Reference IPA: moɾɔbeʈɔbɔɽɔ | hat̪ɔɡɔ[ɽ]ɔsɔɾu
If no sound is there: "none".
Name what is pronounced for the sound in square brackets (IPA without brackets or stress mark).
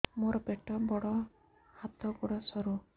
ɽ